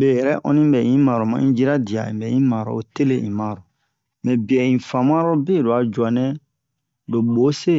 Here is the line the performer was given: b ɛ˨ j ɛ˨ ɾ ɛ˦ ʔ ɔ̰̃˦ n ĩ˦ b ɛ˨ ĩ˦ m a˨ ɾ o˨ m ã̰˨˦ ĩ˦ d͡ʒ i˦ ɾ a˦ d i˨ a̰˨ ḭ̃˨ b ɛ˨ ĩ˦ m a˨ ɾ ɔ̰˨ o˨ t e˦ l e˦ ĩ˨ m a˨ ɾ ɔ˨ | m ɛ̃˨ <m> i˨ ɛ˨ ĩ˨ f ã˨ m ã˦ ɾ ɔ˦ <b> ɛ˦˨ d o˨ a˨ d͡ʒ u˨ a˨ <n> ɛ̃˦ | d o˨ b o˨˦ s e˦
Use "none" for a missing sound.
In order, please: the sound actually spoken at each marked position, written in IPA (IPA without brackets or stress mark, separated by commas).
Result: b, b, n